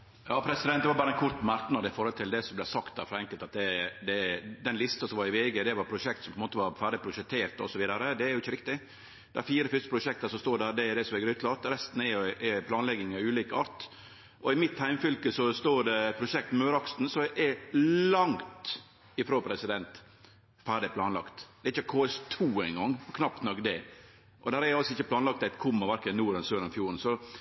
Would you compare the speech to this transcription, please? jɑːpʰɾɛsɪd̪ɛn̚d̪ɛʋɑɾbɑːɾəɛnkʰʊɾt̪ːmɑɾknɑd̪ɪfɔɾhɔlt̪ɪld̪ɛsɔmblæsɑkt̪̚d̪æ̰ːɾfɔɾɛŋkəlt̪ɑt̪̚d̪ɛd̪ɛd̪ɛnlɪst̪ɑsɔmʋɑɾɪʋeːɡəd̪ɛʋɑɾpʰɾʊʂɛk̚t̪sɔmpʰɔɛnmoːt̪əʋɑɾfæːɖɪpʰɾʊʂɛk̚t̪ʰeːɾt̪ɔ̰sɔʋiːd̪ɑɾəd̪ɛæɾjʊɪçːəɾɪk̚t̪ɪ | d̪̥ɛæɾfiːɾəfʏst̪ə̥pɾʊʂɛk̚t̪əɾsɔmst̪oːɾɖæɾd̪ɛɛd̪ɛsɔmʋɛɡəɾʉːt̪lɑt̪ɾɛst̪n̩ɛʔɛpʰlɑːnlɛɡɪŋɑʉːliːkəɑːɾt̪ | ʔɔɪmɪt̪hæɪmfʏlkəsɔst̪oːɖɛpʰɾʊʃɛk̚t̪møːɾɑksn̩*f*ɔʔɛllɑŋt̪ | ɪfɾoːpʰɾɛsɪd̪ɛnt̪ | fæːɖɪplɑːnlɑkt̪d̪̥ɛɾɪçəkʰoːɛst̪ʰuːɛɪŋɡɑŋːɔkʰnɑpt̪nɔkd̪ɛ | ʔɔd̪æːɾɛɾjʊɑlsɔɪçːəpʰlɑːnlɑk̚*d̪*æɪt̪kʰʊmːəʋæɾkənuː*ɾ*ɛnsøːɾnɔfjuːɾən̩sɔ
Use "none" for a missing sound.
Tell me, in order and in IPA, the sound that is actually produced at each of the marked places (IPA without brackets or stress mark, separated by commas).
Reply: s, t̪, ɾ